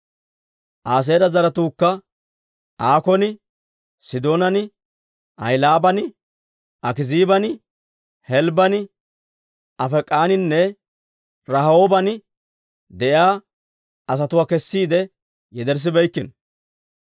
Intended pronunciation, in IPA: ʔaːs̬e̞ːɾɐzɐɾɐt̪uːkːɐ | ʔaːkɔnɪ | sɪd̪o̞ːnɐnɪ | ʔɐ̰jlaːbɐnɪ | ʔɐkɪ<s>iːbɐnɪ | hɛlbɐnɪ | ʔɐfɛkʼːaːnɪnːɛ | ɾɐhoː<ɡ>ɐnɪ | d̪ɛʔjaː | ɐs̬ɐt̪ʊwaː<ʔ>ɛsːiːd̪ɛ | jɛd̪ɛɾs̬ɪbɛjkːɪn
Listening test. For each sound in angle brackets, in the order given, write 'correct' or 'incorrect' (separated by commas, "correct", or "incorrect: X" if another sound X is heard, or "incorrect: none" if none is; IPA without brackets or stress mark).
incorrect: z, incorrect: b, incorrect: k